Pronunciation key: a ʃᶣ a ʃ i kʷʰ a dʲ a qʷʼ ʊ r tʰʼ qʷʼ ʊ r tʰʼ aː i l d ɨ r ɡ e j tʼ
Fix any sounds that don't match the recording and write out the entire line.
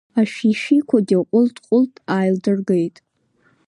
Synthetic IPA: a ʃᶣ i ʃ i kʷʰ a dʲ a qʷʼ ʊ l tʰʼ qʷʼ ʊ l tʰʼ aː j l d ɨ r ɡ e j tʼ

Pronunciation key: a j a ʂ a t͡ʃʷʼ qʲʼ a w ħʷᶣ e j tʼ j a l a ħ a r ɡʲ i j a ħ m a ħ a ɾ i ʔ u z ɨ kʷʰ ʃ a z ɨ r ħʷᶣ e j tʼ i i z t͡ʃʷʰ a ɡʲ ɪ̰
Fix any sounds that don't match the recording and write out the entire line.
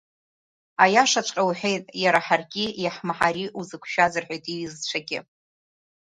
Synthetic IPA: a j a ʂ a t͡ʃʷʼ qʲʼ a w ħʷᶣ e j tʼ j a ɾ a ħ a r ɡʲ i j a ħ m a ħ a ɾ i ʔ u z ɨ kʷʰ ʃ a z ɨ r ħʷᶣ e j tʼ i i z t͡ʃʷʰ a ɡʲ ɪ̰

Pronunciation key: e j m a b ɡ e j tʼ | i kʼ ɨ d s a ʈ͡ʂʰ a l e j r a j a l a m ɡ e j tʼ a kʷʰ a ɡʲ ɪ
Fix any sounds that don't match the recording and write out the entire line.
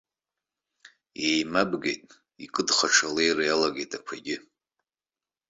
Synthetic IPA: e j m a b ɡ e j tʼ | i kʼ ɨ d χ a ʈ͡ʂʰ a l e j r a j a l a ɡ e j tʼ a kʷʰ a ɡʲ ɪ

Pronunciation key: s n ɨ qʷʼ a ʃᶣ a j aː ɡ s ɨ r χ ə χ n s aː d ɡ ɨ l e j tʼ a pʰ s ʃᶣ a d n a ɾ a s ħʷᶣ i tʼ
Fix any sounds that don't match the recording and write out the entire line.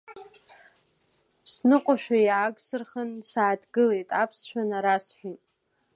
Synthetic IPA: s n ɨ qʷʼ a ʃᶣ a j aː ɡ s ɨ r χ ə n s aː d ɡ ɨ l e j tʼ a pʰ s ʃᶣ a n a ɾ a s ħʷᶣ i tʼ

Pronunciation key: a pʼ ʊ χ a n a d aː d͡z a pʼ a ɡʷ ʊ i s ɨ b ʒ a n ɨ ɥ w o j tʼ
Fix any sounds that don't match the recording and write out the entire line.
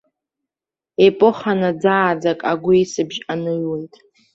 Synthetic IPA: e pʼ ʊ χ a n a d͡z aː d͡z a kʼ a ɡʷ ʊ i s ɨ b ʒ a n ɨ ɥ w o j tʼ

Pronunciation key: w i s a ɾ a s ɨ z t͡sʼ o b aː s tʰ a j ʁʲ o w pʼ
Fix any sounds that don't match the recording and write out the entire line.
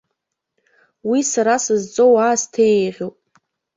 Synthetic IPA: w i s a ɾ a s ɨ z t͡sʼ o w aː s tʰ e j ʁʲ o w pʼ

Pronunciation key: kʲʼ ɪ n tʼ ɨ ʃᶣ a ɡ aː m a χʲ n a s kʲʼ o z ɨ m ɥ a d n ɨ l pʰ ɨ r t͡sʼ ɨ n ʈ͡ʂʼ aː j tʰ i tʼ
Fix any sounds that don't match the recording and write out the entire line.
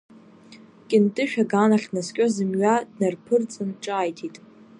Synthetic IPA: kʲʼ ɪ n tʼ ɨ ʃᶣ a ɡ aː n a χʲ n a s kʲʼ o z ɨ m ɥ a d n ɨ r pʰ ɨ r t͡sʼ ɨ n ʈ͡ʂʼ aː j tʰ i tʼ

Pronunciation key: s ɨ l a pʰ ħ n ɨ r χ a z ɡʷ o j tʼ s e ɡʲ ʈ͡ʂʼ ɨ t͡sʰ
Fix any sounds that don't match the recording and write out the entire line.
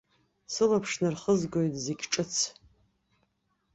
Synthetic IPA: s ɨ l a pʰ ʂ n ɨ r χ ə z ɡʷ o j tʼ z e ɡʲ ʈ͡ʂʼ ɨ t͡sʰ

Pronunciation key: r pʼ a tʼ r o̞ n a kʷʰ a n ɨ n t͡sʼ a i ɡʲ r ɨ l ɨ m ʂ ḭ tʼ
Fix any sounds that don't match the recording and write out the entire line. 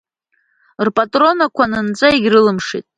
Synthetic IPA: r pʼ a tʼ r o̞ n a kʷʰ a n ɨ n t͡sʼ a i ɡʲ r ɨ l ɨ m ʂ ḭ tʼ

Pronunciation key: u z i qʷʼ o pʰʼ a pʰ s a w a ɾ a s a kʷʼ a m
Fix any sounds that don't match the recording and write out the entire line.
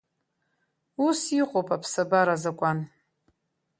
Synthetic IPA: u s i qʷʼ o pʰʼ a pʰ s a b a ɾ a z a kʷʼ a n

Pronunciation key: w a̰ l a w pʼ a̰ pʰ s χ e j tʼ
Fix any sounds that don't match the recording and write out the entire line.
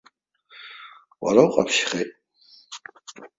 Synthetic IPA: w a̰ ɾ a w qʼ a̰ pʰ ʃ χ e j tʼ

